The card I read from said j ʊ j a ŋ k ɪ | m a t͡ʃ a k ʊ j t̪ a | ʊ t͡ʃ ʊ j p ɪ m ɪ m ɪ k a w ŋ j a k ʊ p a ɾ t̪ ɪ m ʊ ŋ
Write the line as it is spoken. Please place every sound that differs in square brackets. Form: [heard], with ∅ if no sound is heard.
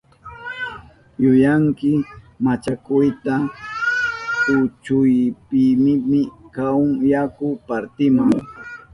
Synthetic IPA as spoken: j ʊ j a ŋ k ɪ | m a t͡ʃ a k ʊ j t̪ a | ʊ t͡ʃ ʊ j p ɪ m ɪ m ɪ k a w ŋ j a k ʊ p a ɾ t̪ ɪ m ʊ ŋ